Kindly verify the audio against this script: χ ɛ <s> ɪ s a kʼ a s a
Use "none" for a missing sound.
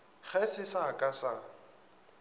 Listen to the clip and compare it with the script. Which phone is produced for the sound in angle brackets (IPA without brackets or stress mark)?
s